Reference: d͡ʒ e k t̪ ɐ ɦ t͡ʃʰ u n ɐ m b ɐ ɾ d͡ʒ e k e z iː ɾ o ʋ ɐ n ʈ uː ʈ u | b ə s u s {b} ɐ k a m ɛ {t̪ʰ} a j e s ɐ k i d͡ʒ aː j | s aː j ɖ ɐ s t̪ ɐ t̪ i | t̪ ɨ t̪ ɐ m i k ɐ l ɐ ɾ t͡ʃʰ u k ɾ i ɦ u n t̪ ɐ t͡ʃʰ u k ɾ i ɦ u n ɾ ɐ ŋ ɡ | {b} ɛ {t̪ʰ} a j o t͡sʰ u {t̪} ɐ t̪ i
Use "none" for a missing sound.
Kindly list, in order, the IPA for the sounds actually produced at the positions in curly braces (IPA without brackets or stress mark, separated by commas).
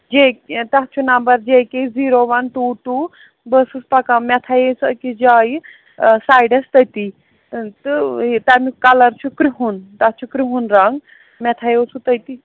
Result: p, t̪ʰ, m, t̪ʰ, t̪